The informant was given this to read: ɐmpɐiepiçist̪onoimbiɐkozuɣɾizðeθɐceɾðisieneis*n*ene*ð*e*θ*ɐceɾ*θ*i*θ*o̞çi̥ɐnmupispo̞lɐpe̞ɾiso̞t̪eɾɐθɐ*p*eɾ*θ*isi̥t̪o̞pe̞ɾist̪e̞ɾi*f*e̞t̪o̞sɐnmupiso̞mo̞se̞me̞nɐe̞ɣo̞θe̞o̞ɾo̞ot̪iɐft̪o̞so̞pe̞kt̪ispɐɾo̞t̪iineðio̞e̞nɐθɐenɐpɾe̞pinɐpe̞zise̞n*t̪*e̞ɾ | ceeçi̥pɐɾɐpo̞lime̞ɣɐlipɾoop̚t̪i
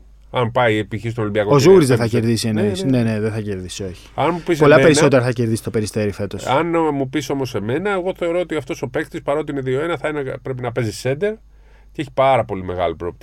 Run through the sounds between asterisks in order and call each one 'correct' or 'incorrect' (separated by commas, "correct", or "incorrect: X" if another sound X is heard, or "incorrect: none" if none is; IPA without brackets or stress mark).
correct, correct, correct, incorrect: ð, incorrect: s, incorrect: c, incorrect: ð, correct, incorrect: d̪